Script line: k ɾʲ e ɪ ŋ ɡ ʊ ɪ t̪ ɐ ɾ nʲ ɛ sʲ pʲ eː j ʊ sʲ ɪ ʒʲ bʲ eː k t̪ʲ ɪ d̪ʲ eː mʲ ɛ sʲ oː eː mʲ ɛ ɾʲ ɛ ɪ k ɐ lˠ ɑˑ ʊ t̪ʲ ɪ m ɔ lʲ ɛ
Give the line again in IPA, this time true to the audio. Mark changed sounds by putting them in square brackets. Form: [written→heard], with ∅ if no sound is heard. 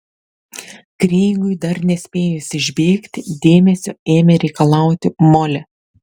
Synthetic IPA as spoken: k ɾʲ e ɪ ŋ ɡ ʊ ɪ [t̪→d̪] ɐ ɾ nʲ ɛ sʲ pʲ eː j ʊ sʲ ɪ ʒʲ bʲ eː k t̪ʲ ɪ d̪ʲ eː mʲ ɛ sʲ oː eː mʲ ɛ ɾʲ ɛ ɪ k ɐ lˠ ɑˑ ʊ t̪ʲ ɪ m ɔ lʲ ɛ